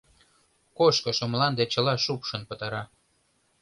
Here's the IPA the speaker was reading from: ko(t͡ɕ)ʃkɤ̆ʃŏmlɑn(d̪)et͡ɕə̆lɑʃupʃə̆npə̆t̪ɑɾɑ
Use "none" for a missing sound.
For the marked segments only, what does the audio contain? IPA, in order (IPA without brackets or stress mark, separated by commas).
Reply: none, d̪